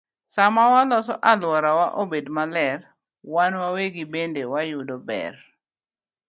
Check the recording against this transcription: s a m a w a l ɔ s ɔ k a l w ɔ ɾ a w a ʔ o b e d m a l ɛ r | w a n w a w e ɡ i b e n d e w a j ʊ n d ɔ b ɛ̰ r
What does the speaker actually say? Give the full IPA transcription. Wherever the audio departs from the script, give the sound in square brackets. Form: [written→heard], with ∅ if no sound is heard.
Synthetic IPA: s a m a w a l ɔ s ɔ [k→ʔ] a l w ɔ ɾ a w a ʔ o b e d m a l ɛ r | w a n w a w e ɡ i b e n d e w a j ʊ [n→∅] d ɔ b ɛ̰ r